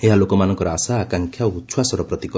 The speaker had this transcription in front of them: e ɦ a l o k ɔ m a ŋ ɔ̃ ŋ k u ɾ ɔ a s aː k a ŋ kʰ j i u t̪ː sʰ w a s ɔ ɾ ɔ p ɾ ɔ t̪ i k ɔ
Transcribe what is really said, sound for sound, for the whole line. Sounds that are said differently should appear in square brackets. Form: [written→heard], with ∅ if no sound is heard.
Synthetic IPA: e ɦ a l o k ɔ m a [ŋ→n] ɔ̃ ŋ k [u→ɔ] ɾ ɔ a s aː k a ŋ kʰ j [i→a] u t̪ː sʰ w a s ɔ ɾ ɔ p ɾ ɔ t̪ i k ɔ